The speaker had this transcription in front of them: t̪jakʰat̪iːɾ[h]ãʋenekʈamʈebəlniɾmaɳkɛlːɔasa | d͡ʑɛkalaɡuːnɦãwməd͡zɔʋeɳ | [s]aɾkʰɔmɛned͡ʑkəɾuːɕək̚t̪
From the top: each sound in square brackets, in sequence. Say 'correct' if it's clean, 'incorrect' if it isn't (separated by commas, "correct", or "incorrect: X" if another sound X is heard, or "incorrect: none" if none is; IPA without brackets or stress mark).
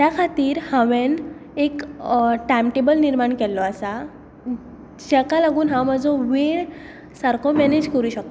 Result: correct, correct